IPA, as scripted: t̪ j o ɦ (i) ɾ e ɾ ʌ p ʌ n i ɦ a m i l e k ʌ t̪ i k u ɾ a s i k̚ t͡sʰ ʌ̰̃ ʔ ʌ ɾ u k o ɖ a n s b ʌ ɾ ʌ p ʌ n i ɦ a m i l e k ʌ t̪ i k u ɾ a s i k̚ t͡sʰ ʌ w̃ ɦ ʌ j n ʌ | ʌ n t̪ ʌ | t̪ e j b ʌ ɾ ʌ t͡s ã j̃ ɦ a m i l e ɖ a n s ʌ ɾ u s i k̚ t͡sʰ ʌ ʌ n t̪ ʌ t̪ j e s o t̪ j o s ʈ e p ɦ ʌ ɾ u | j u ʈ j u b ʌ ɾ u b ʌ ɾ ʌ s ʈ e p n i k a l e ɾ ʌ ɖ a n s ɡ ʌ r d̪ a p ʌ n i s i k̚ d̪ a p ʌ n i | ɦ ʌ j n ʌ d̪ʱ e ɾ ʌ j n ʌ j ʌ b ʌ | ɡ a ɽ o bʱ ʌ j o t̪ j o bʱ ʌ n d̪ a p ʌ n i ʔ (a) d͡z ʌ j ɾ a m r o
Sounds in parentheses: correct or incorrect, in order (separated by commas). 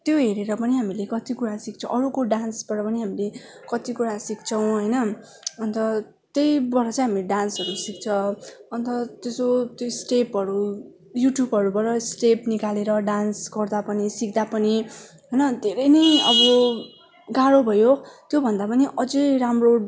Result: incorrect, incorrect